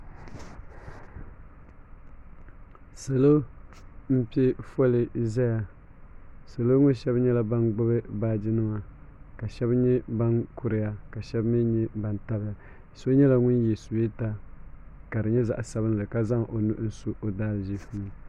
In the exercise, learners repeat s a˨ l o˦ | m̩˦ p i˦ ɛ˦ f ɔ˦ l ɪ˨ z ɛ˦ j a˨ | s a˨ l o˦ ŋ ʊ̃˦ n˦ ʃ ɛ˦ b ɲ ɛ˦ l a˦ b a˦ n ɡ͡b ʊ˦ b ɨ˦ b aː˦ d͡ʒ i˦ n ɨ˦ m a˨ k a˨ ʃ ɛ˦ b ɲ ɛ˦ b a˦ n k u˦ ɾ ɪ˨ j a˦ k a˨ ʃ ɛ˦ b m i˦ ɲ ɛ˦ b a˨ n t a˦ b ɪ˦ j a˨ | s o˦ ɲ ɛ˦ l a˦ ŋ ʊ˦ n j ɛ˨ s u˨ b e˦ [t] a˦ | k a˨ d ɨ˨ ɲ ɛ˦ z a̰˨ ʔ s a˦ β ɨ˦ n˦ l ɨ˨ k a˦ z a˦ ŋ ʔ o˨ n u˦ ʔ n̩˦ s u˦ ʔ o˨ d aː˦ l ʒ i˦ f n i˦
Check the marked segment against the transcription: correct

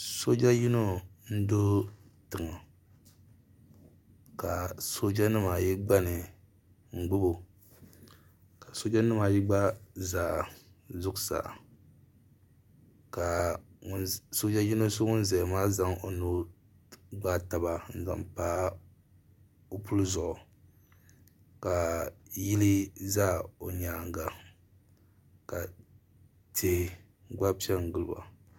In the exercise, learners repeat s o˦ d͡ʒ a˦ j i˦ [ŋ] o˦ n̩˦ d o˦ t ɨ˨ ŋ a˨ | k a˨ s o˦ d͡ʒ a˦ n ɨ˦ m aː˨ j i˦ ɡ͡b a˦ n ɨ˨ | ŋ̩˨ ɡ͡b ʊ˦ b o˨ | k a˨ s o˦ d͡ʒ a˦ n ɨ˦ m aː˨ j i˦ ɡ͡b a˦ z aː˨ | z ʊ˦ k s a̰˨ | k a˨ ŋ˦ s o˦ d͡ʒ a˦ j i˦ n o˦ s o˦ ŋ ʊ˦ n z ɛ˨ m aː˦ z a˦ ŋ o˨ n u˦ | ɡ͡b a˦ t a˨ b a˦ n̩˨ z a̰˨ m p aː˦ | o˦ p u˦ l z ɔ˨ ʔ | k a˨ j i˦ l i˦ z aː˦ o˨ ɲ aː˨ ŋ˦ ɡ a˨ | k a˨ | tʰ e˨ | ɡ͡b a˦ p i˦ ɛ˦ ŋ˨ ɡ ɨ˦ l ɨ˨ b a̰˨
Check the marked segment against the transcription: incorrect: n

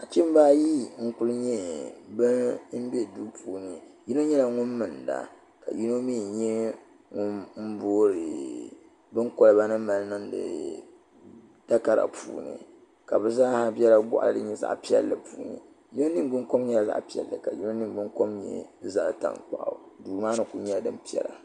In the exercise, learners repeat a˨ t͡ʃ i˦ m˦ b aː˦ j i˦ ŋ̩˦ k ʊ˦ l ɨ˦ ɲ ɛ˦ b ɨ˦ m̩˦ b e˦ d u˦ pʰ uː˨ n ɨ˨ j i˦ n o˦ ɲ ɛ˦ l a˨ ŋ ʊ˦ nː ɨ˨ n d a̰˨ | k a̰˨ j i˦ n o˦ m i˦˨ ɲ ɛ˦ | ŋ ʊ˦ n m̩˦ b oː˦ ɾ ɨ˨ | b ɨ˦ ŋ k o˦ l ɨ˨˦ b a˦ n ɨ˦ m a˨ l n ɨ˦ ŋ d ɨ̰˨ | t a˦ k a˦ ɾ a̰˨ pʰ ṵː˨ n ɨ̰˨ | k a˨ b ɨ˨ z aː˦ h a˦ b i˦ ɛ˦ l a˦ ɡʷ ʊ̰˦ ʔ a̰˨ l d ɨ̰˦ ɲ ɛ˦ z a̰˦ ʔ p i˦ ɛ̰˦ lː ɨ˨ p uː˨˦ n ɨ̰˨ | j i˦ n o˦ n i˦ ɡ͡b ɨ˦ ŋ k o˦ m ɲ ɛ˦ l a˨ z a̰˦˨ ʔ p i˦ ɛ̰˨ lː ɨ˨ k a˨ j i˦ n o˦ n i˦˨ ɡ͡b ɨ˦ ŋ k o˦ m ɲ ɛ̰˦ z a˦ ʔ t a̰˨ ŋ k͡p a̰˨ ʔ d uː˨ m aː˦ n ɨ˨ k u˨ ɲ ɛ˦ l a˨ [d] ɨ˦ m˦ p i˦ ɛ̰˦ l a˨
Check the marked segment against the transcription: correct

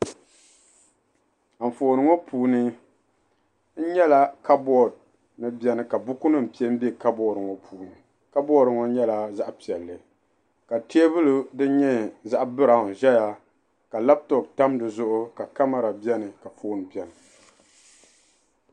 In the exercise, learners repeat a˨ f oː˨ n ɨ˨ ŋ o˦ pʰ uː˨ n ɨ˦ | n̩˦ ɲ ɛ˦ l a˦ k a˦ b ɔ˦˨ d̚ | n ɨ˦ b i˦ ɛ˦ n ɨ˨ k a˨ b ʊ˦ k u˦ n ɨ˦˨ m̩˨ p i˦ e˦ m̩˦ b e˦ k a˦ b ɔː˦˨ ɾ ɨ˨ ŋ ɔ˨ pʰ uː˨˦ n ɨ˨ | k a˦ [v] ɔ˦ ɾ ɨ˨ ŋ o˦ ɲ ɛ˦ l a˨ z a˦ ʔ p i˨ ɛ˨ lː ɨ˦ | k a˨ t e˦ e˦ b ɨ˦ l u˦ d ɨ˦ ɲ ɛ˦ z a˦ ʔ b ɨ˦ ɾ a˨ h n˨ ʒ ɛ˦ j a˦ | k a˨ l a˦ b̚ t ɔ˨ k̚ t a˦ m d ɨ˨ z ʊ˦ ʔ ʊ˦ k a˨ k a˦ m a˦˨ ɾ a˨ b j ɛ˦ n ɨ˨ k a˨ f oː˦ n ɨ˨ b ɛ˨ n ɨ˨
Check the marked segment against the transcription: incorrect: b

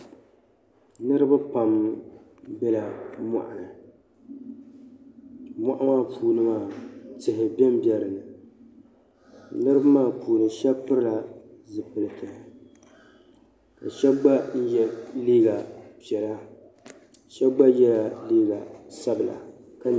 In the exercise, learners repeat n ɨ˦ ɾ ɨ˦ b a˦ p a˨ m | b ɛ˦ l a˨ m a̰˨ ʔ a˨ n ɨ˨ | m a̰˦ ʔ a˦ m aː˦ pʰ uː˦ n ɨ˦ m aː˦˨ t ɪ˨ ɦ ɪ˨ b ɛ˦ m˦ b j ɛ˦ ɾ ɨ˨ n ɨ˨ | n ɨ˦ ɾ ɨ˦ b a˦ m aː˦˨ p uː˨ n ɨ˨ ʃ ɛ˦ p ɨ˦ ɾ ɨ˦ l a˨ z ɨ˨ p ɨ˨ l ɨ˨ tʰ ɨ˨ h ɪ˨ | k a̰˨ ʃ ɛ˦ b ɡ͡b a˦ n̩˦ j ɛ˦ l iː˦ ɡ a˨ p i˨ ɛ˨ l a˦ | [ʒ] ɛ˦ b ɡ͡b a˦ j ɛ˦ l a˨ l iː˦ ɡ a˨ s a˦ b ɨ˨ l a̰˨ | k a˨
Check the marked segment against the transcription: incorrect: ʃ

